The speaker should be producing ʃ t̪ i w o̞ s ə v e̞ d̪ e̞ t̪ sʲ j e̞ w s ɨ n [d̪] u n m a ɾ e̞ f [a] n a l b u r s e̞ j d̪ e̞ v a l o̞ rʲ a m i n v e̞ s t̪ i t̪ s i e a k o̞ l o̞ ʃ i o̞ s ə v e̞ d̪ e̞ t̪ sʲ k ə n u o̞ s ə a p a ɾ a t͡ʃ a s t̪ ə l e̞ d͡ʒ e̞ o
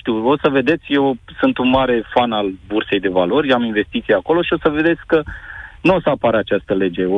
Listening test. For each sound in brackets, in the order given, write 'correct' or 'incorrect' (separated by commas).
incorrect, correct